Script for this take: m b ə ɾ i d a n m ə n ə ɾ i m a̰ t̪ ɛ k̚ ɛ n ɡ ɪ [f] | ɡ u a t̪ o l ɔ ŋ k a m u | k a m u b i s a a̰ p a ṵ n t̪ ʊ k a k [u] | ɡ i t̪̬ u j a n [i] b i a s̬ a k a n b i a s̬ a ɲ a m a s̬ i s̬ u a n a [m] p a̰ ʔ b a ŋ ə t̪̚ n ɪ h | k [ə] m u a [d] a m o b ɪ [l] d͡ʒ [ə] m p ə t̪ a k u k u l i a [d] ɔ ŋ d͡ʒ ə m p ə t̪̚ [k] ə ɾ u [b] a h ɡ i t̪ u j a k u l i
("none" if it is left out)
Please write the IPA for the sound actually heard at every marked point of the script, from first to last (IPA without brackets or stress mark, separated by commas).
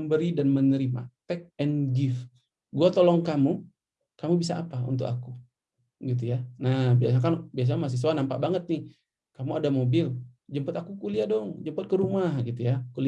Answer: f, u, a, m, a, d, l, ə, d, k, m